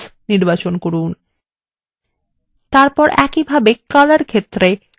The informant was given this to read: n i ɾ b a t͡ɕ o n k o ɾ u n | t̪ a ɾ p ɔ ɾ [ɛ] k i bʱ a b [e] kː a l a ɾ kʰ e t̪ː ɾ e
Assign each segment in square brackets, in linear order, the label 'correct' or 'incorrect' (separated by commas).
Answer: correct, correct